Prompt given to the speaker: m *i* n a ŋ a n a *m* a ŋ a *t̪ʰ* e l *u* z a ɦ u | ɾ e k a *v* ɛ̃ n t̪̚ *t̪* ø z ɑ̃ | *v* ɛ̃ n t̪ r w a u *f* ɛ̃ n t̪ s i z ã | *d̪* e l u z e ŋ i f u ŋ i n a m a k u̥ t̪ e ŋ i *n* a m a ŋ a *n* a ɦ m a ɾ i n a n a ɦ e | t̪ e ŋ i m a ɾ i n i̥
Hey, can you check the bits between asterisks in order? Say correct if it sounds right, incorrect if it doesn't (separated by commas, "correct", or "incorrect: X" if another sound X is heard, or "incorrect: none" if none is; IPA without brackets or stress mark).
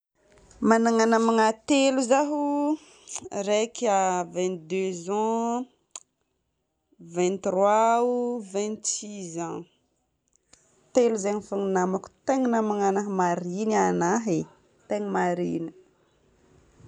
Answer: incorrect: a, correct, incorrect: t̪, correct, correct, incorrect: d̪, correct, incorrect: v, incorrect: t̪, correct, correct